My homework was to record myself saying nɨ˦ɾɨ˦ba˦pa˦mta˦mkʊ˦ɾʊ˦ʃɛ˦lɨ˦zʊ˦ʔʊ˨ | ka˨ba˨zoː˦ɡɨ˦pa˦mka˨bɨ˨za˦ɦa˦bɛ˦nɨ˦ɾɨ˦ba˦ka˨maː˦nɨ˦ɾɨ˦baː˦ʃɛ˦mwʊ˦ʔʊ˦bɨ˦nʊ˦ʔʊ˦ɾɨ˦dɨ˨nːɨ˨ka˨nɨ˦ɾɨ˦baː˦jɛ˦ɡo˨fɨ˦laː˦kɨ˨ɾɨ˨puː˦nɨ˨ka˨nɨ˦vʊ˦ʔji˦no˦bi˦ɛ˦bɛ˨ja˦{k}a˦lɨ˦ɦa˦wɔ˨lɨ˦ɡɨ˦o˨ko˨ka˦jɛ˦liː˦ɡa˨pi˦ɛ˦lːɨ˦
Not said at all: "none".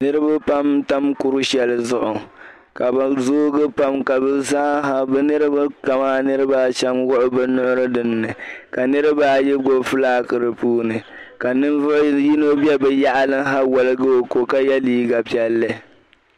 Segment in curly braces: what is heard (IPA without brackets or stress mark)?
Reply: ʔ